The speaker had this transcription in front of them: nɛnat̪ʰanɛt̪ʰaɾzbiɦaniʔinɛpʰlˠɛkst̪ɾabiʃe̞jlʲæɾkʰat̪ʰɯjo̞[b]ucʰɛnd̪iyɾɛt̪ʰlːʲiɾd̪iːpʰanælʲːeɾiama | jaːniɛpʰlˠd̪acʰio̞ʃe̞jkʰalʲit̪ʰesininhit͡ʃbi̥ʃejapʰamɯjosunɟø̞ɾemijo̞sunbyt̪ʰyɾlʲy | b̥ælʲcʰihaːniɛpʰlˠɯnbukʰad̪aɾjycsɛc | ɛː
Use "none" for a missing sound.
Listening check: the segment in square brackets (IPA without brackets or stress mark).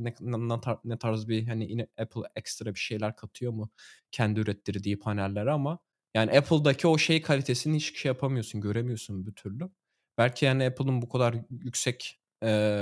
m